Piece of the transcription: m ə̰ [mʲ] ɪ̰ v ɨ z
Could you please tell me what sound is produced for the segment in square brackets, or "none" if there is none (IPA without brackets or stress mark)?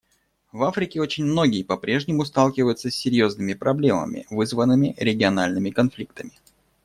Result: mʲ